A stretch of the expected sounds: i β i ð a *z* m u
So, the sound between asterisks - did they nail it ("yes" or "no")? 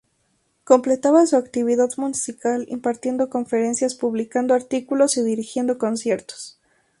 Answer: no